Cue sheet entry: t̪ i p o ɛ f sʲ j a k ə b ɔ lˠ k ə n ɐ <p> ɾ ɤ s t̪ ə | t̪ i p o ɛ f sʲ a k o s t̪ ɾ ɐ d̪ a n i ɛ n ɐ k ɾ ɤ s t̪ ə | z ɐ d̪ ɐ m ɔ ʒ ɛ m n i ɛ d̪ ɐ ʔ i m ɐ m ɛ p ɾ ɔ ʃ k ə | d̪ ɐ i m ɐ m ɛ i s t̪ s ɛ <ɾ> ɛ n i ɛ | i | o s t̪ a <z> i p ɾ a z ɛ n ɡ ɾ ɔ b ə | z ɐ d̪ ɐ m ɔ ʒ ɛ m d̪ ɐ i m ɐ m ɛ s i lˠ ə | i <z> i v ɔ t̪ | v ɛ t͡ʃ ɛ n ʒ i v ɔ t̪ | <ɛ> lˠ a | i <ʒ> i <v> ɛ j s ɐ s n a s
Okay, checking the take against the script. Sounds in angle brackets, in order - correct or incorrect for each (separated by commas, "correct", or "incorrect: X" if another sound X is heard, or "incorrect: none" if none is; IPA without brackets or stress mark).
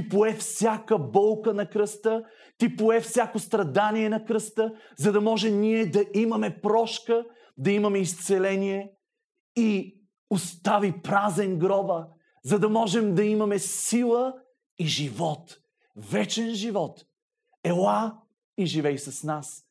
incorrect: k, incorrect: l, incorrect: v, incorrect: ʒ, correct, correct, correct